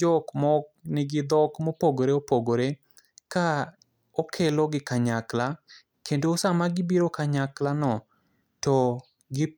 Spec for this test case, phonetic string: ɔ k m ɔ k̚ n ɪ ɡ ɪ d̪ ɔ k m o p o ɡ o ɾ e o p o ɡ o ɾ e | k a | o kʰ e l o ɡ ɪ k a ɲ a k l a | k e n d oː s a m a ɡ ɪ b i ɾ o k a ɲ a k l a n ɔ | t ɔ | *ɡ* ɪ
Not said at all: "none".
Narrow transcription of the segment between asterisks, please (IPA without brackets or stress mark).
ɡ